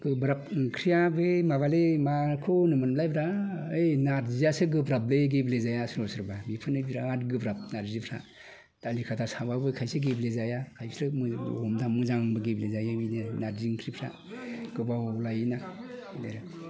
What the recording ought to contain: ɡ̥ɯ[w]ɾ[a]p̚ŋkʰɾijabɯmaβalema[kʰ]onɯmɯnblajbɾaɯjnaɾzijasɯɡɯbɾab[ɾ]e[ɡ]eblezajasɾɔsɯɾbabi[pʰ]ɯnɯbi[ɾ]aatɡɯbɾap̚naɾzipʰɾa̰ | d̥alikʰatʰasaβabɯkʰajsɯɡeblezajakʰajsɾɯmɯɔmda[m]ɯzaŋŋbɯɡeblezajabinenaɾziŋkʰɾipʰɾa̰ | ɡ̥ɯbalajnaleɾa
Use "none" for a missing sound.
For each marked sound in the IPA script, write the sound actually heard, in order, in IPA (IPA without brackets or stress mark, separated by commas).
b, a, kʰ, l, ɡ, pʰ, ɾ, m